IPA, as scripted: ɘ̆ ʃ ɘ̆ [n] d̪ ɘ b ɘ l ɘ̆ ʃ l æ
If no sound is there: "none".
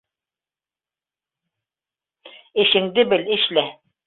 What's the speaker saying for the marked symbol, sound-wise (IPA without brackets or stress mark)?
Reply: ŋ